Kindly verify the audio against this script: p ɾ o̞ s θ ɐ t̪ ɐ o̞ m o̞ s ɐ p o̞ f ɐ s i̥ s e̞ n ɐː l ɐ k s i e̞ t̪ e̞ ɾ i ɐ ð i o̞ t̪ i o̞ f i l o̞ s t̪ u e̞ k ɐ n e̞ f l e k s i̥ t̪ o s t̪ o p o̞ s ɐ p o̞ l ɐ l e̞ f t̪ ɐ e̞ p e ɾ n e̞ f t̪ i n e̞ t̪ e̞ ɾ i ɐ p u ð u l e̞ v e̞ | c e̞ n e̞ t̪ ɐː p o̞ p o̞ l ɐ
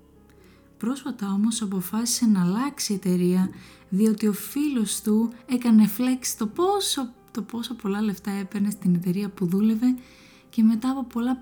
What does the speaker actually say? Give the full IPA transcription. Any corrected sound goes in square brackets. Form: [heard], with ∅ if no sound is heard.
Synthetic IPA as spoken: p ɾ o̞ s [f] ɐ t̪ ɐ o̞ m o̞ s ɐ p o̞ f ɐ s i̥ s e̞ n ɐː l ɐ k s i e̞ t̪ e̞ ɾ i ɐ ð i o̞ t̪ i o̞ f i l o̞ s t̪ u e̞ k ɐ n e̞ f l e k s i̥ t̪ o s t̪ o p o̞ s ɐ p o̞ l ɐ l e̞ f t̪ ɐ e̞ p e ɾ n e̞ [s] t̪ i n e̞ t̪ e̞ ɾ i ɐ p u ð u l e̞ v e̞ | c e̞ [m] e̞ t̪ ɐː p o̞ p o̞ l ɐ